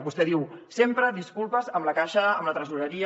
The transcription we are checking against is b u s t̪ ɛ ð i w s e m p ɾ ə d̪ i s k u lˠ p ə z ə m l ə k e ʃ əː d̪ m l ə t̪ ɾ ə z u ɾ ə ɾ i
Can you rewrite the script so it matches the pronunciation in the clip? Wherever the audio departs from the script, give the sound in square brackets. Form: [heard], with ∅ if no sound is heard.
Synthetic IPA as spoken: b u s t̪ ɛ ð i w s e m p ɾ ə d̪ i s k u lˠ p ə z ə m l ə k [a] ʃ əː [∅] m l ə t̪ ɾ ə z u ɾ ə ɾ i